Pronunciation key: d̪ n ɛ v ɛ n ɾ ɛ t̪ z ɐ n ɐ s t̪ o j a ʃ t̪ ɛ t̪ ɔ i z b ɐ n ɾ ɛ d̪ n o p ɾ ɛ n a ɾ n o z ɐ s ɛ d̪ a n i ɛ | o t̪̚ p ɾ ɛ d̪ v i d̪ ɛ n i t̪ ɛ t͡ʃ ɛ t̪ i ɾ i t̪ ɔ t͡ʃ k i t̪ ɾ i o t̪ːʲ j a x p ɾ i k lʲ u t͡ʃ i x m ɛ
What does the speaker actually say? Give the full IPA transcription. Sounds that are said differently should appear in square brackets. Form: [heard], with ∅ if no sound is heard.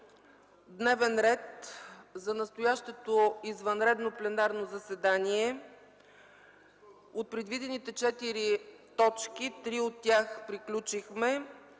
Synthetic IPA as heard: d̪ n ɛ v ɛ n ɾ ɛ t̪ z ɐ n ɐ s t̪ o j a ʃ t̪ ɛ t̪ [o] i z [v] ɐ n ɾ ɛ d̪ n o p [l] ɛ n a ɾ n o z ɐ s ɛ d̪ a n i ɛ | o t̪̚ p ɾ ɛ d̪ v i d̪ ɛ n i t̪ ɛ t͡ʃ ɛ t̪ i ɾ i t̪ ɔ t͡ʃ k i t̪ ɾ i o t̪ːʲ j a x p ɾ i k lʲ u t͡ʃ i x m ɛ

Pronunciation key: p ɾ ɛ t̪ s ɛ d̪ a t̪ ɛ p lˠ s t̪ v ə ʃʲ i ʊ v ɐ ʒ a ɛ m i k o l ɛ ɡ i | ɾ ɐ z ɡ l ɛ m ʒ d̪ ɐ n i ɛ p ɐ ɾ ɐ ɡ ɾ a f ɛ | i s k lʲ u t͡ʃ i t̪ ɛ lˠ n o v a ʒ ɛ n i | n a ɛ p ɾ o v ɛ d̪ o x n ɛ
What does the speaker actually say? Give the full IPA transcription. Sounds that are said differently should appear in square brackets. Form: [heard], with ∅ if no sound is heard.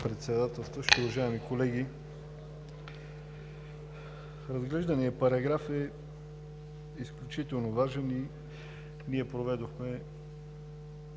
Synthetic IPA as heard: p ɾ ɛ t̪ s ɛ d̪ a t̪ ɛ [∅] lˠ s t̪ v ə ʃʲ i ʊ v ɐ ʒ a ɛ m i k o l ɛ ɡ i | ɾ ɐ z ɡ l ɛ [∅] ʒ d̪ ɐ n i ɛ p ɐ ɾ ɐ ɡ ɾ a f ɛ | i s k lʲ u t͡ʃ i t̪ ɛ lˠ n o v a ʒ ɛ n i | n [i] ɛ p ɾ o v ɛ d̪ o x [m] ɛ

